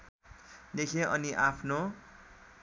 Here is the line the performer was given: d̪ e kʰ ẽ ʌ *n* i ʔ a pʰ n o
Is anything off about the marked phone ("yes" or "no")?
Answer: no